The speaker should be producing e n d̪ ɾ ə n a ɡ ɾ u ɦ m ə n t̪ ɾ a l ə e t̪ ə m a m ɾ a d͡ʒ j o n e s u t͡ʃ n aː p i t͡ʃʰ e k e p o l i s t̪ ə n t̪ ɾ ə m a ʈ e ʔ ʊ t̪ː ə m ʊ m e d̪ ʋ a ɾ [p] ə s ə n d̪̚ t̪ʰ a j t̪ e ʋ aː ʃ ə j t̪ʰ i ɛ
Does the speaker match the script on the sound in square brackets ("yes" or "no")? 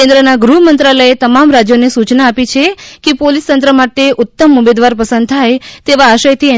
yes